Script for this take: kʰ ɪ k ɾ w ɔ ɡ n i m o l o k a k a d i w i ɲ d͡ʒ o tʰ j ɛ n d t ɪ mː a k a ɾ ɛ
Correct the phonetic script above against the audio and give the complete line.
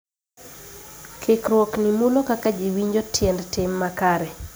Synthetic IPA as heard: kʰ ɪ k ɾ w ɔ k n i m u l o k a k a d͡ʒ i w i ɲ d͡ʒ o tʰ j ɛ n d t ɪ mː a k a ɾ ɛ